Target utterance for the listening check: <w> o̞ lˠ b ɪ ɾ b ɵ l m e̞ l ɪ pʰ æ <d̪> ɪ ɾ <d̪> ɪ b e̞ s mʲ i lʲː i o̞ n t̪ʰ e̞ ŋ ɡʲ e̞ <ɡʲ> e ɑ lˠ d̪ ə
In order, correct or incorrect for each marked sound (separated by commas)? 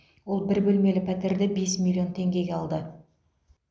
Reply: correct, incorrect, correct, correct